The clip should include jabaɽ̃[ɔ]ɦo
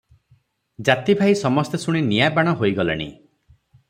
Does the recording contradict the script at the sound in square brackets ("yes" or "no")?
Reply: no